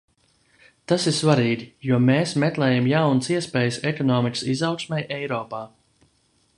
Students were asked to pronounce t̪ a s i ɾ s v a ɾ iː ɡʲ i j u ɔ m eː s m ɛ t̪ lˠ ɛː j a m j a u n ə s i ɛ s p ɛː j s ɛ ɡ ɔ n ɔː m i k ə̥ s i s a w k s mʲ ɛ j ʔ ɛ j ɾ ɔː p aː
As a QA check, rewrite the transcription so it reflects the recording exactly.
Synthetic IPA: t̪ a s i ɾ s v a ɾ iː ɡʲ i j u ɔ m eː s m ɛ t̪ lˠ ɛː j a m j a w n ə s i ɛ s p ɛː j s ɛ k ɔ n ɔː m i k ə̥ s i z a w k s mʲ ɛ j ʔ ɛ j ɾ ɔː p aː